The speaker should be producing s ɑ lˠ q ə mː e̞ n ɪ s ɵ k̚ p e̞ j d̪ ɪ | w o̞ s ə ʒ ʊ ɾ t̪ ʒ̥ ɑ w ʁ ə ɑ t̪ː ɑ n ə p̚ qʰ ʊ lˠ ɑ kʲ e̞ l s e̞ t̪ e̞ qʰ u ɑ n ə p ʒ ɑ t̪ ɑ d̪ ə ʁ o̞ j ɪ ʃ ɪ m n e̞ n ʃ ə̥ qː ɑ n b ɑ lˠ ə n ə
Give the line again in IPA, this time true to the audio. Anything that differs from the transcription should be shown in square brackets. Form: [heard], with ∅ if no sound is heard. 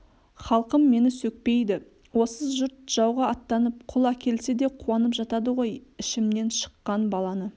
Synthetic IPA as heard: [χ] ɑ lˠ q ə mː e̞ n ɪ s ɵ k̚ p e̞ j d̪ ɪ | w o̞ s ə ʒ ʊ ɾ t̪ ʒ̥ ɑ w ʁ [ɑ] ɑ t̪ː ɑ n ə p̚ qʰ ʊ lˠ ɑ kʲ e̞ l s e̞ [d̪] e̞ qʰ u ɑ n ə p ʒ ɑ t̪ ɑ d̪ ə ʁ o̞ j ɪ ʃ ɪ m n e̞ n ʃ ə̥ qː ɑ n b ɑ lˠ [ɑ] n ə